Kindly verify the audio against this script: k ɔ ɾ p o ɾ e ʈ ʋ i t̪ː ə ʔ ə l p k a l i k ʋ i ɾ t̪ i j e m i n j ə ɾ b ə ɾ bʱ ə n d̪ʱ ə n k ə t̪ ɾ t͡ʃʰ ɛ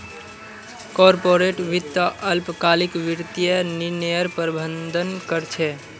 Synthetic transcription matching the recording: k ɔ ɾ p o ɾ e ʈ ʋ i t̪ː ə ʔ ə l p k a l i k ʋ i ɾ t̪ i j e n i n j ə ɾ p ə ɾ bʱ ə n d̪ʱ ə n k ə ɾ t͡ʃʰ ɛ